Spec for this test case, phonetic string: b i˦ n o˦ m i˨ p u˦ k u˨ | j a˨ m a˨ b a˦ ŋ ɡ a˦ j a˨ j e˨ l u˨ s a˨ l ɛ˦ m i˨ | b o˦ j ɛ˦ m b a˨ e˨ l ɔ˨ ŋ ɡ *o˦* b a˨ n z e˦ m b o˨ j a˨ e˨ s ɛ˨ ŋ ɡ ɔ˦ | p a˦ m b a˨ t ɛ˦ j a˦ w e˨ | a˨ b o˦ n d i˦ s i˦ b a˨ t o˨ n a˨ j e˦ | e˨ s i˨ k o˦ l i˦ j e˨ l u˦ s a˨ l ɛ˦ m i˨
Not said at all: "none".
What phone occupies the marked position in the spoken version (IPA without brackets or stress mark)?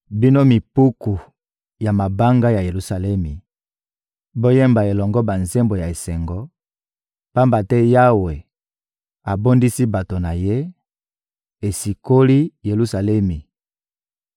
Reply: ɔ˦